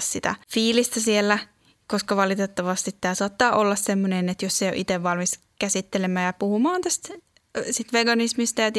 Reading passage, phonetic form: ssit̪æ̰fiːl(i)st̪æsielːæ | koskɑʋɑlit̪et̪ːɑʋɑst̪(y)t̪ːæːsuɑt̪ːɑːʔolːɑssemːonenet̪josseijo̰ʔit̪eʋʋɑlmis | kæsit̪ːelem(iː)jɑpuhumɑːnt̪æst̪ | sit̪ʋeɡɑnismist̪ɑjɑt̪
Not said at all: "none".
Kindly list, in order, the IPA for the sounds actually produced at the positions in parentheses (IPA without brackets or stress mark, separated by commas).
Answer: i, i, æː